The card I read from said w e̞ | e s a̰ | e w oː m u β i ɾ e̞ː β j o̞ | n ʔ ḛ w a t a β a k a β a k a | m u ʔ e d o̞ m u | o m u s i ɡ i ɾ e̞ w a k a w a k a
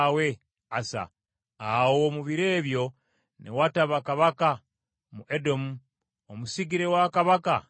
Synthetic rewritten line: w e̞ | a s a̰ | a w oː m u β i ɾ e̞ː β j o̞ | n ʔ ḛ w a t a β a k a β a k a | m u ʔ e d o̞ m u | o m u s i ɡ i ɾ e̞ w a k a β a k a